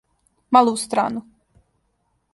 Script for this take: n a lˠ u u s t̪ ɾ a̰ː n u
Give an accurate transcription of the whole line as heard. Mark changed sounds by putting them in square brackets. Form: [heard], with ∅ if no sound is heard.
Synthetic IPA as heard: [m] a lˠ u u s t̪ ɾ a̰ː n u